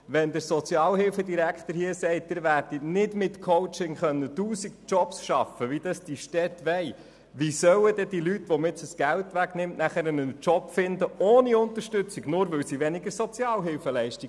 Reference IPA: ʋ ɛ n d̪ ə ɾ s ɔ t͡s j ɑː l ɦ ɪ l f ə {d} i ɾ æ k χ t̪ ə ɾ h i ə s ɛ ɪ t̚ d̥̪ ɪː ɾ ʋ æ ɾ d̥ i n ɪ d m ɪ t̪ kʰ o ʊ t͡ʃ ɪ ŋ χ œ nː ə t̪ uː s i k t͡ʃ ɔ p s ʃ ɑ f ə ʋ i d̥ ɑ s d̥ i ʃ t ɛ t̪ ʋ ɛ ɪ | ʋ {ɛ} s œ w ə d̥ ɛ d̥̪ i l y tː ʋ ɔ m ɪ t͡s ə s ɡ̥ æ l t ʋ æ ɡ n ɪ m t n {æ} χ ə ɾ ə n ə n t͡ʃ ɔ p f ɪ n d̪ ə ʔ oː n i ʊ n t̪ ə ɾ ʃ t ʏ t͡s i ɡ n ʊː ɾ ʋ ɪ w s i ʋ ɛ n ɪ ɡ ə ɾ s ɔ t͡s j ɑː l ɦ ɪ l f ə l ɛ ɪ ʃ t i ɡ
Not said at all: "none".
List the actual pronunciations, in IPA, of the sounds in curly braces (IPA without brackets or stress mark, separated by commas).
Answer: d, i, æ